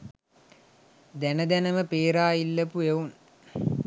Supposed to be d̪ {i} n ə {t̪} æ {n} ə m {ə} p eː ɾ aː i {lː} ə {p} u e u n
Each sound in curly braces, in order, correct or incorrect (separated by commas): incorrect, incorrect, correct, correct, correct, correct